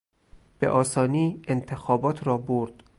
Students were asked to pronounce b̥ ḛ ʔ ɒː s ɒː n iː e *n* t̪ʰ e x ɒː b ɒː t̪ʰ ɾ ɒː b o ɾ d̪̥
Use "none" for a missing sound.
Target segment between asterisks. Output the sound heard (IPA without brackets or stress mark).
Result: n